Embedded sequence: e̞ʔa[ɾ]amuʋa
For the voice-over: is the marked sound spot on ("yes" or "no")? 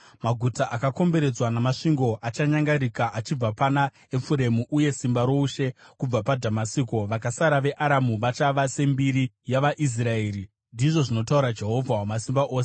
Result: yes